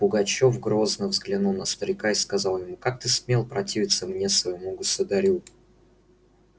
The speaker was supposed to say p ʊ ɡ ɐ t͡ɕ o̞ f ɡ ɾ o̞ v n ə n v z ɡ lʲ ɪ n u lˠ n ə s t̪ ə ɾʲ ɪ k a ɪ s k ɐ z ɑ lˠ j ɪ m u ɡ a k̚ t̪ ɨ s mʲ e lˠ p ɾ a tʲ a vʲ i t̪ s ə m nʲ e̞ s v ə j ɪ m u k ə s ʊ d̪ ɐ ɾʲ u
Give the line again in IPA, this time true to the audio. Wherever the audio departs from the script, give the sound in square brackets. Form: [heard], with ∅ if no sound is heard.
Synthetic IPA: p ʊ ɡ ɐ t͡ɕ o̞ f ɡ ɾ o̞ [z] n ə [∅] v z ɡ lʲ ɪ n u lˠ n ə s t̪ ə ɾʲ ɪ k a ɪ s k ɐ z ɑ lˠ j ɪ m u [k] a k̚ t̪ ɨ s mʲ e lˠ p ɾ [ɐ] tʲ [i] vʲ [ɪ] t̪ s ə m nʲ e̞ s v ə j ɪ m u [ɡ] ə s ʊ d̪ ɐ ɾʲ u

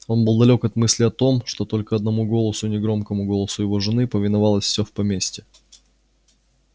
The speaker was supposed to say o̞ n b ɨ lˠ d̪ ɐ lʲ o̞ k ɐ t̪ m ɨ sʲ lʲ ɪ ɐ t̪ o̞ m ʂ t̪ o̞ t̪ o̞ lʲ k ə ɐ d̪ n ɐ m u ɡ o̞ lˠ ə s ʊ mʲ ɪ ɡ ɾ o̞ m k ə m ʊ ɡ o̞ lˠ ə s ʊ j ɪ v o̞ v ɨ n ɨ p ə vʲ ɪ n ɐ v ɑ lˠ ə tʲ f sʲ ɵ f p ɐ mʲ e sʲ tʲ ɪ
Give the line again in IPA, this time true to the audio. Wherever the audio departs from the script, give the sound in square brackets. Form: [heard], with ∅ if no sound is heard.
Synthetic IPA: o̞ n b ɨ lˠ d̪ ɐ lʲ o̞ k ɐ t̪ m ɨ sʲ lʲ ɪ ɐ t̪ o̞ m ʂ t̪ o̞ t̪ o̞ lʲ k ə ɐ d̪ n ɐ m u ɡ o̞ lˠ ə s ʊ [nʲ] ɪ ɡ ɾ o̞ m k ə m ʊ ɡ o̞ lˠ ə s ʊ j ɪ v o̞ [ʐ] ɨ n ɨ p ə vʲ ɪ n ɐ v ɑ lˠ ə [sʲ] f sʲ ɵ f p ɐ mʲ e sʲ tʲ ɪ

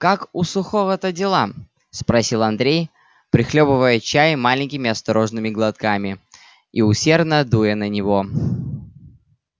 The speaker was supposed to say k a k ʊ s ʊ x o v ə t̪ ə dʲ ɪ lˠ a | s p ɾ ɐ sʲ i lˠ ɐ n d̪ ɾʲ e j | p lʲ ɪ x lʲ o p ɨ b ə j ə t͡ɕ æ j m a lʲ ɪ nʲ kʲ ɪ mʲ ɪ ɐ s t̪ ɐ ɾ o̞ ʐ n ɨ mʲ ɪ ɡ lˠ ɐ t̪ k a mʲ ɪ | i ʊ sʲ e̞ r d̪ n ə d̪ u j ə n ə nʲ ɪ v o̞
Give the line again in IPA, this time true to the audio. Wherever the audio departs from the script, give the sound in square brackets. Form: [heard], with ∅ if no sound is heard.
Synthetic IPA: k a k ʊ s ʊ x o v ə t̪ ə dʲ ɪ lˠ a | s p ɾ ɐ sʲ i lˠ ɐ n d̪ ɾʲ e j | p [ɾʲ] ɪ x lʲ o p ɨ [v] ə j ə t͡ɕ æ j m a lʲ ɪ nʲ kʲ ɪ mʲ ɪ ɐ s t̪ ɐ ɾ o̞ ʐ n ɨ mʲ ɪ ɡ lˠ ɐ t̪ k a mʲ ɪ | i ʊ sʲ e̞ r d̪ n ə d̪ u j ə n ə nʲ ɪ v o̞

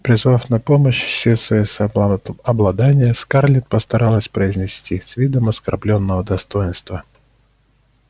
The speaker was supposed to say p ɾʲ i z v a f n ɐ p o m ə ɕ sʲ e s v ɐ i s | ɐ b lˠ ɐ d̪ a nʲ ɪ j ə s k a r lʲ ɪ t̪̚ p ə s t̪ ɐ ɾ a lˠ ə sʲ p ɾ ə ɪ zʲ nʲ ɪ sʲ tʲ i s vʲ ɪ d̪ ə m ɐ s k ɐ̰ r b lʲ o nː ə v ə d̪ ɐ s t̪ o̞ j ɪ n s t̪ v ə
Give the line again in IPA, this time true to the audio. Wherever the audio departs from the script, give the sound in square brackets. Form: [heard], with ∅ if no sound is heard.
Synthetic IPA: p ɾʲ [ɪ] z v a f n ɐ p o m ə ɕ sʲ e s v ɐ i s | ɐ b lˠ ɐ d̪ a nʲ ɪ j ə s k a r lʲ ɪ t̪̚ p ə s t̪ ɐ ɾ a lˠ ə sʲ p ɾ ə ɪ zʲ nʲ ɪ sʲ tʲ i s vʲ [i] d̪ ə m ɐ s k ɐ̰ r b lʲ o nː ə v ə d̪ ɐ s t̪ o̞ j ɪ n s t̪ v ə

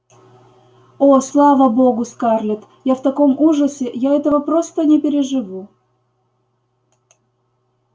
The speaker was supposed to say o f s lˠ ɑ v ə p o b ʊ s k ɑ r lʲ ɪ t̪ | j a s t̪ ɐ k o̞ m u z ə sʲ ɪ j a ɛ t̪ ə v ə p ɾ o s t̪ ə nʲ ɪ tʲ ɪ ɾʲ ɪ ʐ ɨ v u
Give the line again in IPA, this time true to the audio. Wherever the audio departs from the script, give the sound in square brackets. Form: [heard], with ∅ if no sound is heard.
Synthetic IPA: o [∅] s lˠ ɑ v ə [b] o [ɡ] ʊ s k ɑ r lʲ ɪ t̪ | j a [f] t̪ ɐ k o̞ m u [ʐ] ə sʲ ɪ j a ɛ t̪ ə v ə p ɾ o s t̪ ə nʲ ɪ [pʲ] ɪ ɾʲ ɪ ʐ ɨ v u

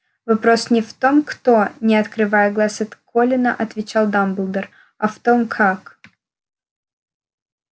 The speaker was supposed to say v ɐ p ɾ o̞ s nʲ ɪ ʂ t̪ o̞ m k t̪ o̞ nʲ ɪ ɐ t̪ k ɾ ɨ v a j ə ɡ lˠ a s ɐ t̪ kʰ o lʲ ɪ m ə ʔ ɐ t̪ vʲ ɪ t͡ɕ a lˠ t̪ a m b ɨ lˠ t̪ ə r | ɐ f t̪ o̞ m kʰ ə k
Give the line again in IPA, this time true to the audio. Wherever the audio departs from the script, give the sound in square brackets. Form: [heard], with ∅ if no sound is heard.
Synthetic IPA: v ɐ p ɾ o̞ s nʲ ɪ [f] t̪ o̞ m k t̪ o̞ nʲ ɪ ɐ t̪ k ɾ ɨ v a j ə ɡ lˠ a s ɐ t̪ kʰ o lʲ ɪ [n] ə ʔ ɐ t̪ vʲ ɪ t͡ɕ a lˠ [d̪] a m b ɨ lˠ [d̪] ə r | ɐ f t̪ o̞ m kʰ [a] k

